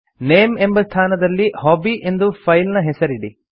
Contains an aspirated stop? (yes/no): yes